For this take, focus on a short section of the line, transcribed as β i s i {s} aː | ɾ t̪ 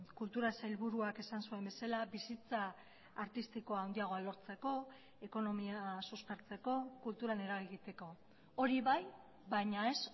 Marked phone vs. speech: incorrect: t͡s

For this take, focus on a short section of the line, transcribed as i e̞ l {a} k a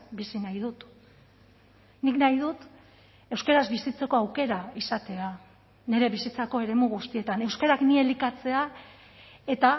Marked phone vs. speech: incorrect: i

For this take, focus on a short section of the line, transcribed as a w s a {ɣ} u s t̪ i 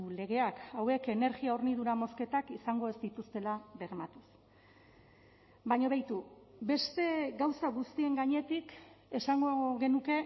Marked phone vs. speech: correct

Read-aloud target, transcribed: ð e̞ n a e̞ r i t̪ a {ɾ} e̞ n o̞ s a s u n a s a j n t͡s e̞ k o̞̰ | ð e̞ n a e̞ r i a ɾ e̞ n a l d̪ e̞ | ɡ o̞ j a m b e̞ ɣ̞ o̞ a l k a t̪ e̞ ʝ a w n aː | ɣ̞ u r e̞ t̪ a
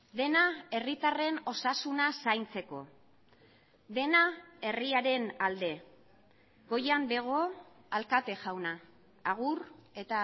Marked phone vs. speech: incorrect: r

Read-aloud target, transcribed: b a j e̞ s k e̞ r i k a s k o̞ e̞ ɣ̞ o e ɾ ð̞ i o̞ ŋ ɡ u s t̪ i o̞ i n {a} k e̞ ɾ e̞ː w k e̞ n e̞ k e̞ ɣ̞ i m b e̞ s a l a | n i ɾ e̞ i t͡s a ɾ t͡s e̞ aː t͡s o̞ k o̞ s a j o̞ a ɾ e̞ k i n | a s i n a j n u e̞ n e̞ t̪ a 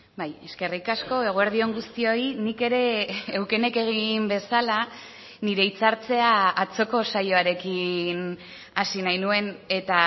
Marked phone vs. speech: incorrect: i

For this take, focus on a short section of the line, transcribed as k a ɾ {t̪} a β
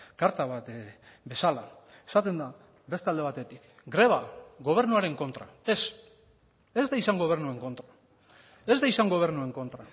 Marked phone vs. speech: correct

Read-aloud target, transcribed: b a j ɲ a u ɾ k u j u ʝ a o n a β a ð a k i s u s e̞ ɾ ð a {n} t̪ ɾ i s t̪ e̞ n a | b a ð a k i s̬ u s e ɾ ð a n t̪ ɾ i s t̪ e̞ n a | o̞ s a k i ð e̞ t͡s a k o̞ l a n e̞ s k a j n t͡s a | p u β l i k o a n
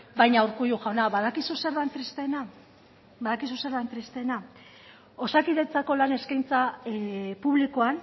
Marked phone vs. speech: correct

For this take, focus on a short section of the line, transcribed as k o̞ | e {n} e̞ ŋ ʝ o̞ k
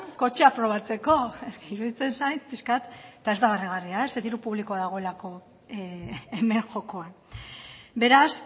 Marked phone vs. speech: incorrect: m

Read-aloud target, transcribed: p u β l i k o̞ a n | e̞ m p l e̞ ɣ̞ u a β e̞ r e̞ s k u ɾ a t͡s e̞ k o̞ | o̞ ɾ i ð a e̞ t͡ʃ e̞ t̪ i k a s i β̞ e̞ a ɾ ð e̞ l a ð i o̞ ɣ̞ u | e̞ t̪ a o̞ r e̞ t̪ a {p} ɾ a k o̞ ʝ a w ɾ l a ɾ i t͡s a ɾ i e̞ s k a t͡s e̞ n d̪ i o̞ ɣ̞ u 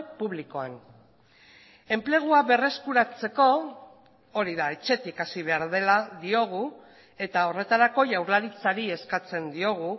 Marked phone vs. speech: incorrect: none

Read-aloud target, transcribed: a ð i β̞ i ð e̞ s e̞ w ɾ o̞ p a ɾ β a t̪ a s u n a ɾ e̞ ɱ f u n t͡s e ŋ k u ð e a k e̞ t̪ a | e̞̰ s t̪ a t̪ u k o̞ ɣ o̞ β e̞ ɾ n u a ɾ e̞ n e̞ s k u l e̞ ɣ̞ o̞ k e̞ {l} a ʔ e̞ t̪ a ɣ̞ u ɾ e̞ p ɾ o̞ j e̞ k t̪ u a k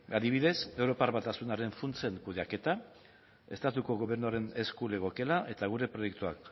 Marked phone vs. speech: correct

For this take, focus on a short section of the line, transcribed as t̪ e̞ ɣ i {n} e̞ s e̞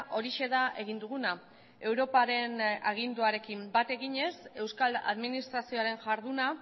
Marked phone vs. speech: incorrect: ɲ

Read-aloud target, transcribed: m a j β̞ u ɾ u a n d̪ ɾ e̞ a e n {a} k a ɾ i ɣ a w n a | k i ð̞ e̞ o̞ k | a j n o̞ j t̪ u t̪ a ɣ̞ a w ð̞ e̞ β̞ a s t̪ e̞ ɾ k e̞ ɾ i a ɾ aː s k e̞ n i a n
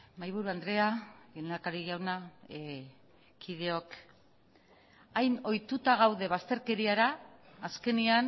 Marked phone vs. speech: correct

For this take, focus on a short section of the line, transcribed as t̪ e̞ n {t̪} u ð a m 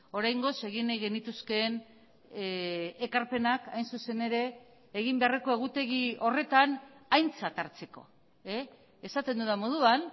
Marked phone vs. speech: incorrect: d̪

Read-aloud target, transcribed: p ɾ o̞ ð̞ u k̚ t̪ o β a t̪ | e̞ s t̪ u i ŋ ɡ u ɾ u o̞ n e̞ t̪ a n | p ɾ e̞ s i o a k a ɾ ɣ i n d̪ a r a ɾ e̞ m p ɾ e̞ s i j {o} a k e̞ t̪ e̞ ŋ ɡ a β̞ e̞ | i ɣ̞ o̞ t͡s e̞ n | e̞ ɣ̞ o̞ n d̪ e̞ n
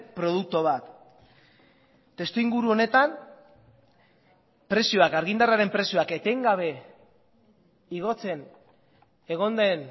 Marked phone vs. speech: correct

